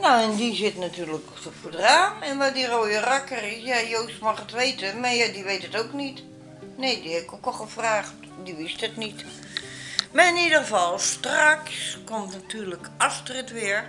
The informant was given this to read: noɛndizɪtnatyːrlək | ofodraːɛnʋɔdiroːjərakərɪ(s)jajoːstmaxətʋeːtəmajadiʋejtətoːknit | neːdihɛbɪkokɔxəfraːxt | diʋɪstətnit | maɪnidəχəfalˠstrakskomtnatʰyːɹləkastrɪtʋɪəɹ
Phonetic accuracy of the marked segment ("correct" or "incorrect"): correct